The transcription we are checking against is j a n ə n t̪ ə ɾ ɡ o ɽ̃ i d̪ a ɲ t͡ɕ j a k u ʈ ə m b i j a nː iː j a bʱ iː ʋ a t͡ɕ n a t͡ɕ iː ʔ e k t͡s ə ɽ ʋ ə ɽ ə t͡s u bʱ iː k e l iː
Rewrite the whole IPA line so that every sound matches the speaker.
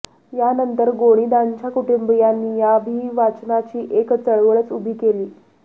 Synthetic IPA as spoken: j a n ə n t̪ ə ɾ ɡ o ɽ̃ i d̪ a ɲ t͡ɕ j a k u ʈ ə m b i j a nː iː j a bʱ iː ʋ a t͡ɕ n a t͡ɕ iː ʔ e k t͡s ə ɭ ʋ ə ɭ ə t͡s u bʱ iː k e l iː